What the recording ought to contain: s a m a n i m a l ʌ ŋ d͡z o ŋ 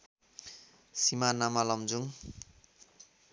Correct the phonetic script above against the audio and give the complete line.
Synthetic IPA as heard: s i m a n a m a l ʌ m d͡z u ŋ